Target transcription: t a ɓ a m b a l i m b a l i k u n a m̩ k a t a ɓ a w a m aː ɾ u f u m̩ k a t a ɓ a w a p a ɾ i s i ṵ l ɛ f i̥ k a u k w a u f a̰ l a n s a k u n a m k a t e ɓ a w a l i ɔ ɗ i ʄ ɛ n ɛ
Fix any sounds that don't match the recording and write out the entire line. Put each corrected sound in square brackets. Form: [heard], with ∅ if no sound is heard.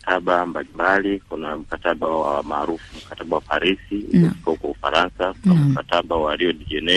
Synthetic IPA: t a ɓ a m b a l i m b a l i k u n a m̩ k a t a ɓ a w a m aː ɾ u f u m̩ k a t a ɓ a w a p a ɾ i s i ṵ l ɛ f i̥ k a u k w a u f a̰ [ɾ] a n s a k u n a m k a t [a] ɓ a w a l i ɔ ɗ i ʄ ɛ n ɛ